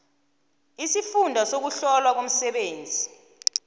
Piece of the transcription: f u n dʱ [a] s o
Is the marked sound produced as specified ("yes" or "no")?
yes